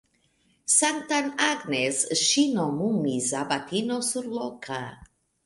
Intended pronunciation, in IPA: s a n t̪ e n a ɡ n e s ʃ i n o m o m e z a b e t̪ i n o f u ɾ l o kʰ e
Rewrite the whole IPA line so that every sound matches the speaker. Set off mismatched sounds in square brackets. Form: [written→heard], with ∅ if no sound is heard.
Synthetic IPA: s a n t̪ [e→a] n a ɡ n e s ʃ i n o m [o→u] m [e→i] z a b [e→a] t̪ i n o [f→s] u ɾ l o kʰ [e→a]